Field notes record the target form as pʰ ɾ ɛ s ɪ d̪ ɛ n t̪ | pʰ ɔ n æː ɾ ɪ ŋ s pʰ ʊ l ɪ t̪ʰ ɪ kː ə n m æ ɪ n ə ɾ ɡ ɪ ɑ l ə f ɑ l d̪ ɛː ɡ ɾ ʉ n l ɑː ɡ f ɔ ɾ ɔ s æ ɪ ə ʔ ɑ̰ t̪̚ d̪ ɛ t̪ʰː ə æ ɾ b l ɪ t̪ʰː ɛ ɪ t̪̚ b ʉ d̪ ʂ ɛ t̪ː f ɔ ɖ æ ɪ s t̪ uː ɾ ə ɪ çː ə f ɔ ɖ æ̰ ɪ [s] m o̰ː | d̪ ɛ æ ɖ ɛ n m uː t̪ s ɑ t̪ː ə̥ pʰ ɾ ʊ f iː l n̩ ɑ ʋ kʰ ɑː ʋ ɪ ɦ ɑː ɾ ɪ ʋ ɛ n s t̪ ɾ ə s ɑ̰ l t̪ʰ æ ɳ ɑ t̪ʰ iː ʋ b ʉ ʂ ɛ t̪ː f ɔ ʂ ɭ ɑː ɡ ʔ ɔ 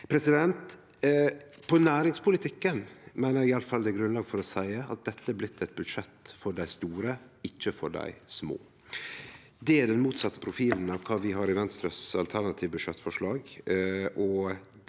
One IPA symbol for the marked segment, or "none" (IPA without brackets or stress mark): s